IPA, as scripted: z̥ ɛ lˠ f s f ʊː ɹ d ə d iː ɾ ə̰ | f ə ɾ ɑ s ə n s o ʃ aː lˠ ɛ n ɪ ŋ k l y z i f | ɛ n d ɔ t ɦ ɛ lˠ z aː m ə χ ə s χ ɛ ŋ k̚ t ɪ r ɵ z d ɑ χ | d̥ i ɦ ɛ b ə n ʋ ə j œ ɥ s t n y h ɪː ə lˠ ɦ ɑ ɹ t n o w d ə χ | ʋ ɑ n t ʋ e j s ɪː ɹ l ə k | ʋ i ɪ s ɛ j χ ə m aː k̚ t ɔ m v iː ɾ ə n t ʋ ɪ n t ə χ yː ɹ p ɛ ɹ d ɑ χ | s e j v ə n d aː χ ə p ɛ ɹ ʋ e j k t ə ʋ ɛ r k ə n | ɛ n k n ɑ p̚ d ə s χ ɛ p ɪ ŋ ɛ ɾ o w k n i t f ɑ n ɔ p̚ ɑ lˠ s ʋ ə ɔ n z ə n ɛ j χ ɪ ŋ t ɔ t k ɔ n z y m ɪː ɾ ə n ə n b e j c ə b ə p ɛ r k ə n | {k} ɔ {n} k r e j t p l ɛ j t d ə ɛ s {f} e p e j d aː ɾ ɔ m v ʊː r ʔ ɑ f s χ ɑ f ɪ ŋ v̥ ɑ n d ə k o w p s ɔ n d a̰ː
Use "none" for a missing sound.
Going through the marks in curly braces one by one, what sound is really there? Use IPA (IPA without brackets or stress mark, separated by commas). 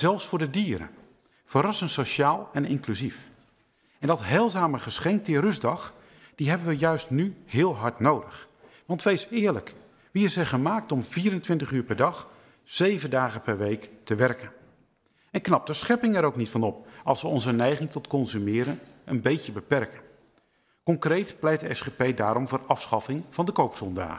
k, ŋ, χ